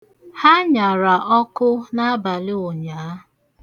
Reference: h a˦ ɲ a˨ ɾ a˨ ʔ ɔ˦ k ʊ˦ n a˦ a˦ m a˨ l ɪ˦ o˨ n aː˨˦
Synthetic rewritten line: h a˦ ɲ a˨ ɾ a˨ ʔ ɔ˦ k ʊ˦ n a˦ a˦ b a˨ l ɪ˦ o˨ ɲ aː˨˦

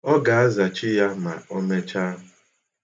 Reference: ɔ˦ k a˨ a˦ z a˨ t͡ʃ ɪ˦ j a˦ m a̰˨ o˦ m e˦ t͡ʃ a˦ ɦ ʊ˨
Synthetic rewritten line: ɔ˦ ɡ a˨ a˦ z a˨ t͡ʃ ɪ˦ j a˦ m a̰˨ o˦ m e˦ t͡ʃ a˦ ɦ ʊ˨

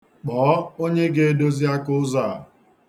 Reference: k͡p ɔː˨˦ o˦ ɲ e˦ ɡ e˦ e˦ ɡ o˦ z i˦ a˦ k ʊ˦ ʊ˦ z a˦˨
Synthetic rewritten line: k͡p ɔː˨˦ o˦ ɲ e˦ ɡ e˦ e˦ d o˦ z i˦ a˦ k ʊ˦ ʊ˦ z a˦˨

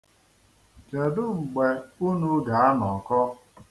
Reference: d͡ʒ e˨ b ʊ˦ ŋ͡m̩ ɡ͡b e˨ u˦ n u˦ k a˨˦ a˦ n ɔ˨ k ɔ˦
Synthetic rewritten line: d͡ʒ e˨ d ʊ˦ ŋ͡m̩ ɡ͡b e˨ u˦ n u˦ ɡ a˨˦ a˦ n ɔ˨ k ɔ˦

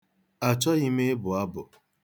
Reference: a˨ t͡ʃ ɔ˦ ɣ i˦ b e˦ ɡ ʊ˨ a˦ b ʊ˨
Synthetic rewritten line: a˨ t͡ʃ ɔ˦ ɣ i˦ m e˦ b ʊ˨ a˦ b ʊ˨

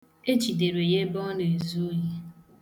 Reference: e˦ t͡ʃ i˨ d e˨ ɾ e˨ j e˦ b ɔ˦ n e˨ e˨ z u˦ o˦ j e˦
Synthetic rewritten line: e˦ t͡ʃ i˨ d e˨ ɾ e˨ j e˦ b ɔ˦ n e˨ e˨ z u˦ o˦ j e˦

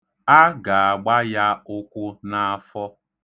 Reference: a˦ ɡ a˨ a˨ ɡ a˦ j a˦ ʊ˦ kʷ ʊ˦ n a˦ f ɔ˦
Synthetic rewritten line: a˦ ɡ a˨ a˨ ɡ͡b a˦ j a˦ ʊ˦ kʷ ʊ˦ n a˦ f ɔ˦

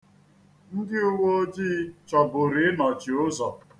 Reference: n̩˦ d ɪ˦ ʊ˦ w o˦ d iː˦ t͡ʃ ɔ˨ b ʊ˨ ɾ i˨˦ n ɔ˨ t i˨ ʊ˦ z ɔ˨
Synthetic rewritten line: n̩˦ d ɪ˦ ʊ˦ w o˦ d͡ʒ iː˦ t͡ʃ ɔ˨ b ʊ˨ ɾ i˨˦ n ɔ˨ t͡ʃ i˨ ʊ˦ z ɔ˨

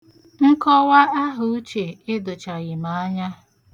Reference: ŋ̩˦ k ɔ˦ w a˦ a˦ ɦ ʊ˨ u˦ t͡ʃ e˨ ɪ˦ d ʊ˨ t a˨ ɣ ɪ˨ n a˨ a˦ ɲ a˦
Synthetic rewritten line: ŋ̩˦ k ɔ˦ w a˦ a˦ ɦ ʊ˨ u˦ t͡ʃ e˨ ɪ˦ d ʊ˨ t͡ʃ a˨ ɣ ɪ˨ m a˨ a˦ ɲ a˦

